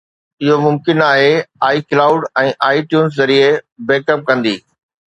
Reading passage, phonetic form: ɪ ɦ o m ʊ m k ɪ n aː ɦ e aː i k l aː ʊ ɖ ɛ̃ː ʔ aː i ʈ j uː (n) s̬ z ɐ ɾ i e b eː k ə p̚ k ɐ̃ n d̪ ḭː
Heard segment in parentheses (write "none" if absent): n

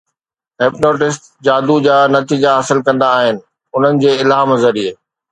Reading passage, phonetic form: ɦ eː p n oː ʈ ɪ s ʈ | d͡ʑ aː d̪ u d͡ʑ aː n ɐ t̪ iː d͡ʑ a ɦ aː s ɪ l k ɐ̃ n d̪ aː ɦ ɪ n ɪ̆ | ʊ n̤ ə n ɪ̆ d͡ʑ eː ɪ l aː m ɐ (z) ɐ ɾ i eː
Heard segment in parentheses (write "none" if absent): z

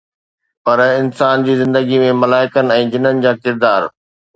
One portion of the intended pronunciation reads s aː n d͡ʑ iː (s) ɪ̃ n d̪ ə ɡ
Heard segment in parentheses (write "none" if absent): z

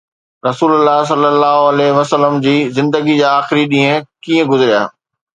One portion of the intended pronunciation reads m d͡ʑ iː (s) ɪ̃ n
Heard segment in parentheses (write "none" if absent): z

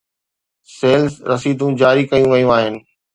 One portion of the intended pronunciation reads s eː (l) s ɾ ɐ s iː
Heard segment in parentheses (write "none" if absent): l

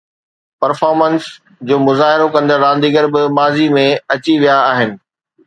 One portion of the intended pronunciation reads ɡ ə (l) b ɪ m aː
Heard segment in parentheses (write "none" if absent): ɾ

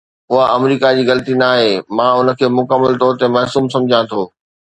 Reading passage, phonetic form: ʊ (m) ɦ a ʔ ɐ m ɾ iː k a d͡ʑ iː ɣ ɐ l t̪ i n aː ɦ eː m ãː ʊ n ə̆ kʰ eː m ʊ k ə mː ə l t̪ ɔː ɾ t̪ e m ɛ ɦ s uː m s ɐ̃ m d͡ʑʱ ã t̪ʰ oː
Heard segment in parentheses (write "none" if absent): none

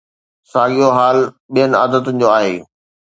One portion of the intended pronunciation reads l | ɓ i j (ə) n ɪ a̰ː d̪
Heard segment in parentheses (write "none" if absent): ə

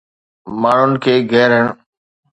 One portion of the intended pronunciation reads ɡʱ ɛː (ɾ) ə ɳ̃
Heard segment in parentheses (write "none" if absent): ɾ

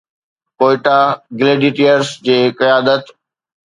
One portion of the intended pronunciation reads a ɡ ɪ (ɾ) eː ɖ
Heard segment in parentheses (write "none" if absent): l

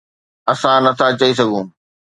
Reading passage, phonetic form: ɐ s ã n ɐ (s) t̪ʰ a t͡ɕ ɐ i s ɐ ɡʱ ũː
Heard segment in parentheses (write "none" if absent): none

